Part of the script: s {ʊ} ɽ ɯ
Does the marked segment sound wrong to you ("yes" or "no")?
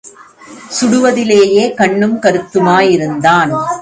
no